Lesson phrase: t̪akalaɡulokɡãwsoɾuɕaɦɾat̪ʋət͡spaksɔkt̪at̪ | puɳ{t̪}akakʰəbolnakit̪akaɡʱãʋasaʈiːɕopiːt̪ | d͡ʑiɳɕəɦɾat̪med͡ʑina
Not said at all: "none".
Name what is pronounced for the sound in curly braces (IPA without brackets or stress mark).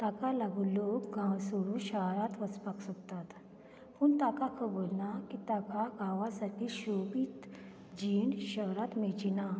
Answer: t̪